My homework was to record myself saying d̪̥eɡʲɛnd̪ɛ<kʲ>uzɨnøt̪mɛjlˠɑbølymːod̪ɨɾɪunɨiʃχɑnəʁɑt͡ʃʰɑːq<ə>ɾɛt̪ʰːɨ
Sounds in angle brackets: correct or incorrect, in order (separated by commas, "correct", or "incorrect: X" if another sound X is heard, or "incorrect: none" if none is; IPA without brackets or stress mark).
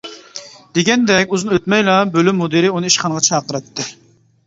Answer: correct, correct